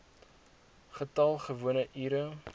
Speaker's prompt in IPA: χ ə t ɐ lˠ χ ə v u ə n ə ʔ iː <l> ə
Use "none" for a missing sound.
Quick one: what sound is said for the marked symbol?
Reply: ɾ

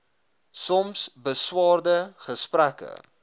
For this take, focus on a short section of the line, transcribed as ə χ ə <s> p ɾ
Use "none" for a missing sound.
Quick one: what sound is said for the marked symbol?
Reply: s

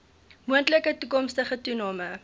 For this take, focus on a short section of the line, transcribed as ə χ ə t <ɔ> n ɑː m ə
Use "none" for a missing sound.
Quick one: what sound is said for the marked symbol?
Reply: u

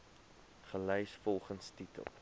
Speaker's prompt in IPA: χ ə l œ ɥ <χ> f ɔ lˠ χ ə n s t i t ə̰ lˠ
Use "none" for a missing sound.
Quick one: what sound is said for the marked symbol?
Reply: s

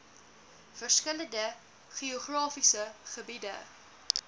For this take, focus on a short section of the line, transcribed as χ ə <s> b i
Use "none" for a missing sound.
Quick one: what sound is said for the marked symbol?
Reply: none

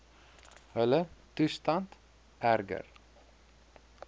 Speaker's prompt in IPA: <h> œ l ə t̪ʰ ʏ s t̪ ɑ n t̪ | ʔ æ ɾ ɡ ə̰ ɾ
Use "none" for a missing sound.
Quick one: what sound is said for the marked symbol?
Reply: h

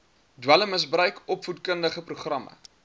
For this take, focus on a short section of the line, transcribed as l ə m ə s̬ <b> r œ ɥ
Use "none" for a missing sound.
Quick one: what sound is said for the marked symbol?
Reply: b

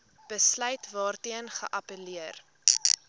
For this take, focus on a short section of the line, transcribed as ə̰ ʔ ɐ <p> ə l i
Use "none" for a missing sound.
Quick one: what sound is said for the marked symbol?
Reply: p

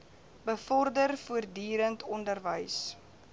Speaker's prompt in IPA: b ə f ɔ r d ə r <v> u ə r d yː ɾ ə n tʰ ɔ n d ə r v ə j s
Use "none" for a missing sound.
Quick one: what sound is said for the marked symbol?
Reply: f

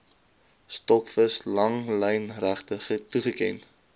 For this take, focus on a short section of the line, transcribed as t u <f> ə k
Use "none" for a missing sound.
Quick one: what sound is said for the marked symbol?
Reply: χ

